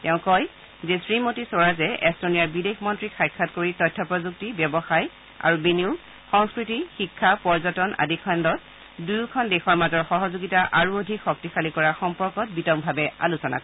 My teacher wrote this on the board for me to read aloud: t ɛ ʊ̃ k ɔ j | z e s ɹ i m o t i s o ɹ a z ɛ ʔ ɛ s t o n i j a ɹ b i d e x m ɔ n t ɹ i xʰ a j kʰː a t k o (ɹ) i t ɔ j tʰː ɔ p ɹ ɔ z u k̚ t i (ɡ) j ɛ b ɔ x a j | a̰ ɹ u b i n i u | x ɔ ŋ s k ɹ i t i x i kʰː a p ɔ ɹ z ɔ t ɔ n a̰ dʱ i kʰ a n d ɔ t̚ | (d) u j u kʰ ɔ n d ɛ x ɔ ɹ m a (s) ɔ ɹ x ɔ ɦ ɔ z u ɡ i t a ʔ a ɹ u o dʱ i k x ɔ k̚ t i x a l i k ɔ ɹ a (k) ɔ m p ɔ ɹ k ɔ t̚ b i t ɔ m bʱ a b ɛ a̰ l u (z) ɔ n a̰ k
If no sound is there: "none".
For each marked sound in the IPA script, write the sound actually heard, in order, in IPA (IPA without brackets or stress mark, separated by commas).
ɹ, b, d, z, x, s